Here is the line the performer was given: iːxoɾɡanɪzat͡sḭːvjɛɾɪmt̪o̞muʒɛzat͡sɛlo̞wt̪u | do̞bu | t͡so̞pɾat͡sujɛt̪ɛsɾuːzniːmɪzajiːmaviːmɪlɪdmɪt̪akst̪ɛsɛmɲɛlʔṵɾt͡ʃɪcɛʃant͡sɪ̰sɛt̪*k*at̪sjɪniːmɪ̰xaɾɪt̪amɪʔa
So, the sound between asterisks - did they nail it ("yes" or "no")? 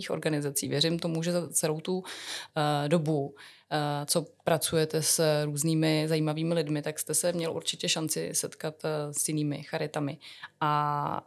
yes